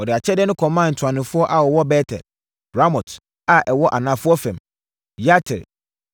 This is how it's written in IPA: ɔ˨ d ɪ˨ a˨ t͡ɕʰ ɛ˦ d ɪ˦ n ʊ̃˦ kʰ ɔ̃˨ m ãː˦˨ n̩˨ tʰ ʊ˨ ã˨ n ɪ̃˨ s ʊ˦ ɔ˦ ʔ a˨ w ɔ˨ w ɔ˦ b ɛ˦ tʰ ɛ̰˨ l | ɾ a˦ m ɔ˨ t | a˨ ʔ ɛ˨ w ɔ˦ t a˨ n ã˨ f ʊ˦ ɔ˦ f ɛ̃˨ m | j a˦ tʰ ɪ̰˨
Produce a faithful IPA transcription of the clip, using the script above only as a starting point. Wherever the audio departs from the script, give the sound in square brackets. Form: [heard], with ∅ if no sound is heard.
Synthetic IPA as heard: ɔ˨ d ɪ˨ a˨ t͡ɕʰ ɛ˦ d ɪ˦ n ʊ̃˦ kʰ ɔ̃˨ m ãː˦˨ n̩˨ tʰ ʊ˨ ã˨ n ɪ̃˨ [f] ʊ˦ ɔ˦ ʔ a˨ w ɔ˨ w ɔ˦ b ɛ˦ tʰ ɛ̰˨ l | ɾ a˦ m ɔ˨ t | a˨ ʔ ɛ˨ w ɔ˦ [ʔ] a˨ n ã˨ f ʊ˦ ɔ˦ f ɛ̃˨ m | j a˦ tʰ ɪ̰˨